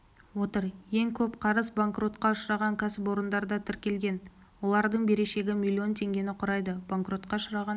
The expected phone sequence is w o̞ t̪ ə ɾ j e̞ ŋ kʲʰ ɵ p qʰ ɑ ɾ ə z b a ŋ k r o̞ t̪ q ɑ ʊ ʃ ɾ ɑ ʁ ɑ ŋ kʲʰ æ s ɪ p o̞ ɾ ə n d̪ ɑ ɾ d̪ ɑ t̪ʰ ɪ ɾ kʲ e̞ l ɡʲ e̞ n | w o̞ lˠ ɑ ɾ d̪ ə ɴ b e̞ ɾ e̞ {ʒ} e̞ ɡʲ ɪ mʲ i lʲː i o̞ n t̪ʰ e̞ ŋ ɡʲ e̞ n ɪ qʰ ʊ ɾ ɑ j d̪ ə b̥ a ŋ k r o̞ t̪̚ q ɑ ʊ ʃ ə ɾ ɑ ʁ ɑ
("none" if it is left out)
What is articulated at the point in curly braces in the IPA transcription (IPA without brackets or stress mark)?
ʃ